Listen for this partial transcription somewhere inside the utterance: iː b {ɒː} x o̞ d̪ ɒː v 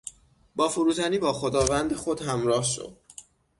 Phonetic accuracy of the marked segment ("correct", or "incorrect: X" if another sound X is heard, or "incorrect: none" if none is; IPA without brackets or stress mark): correct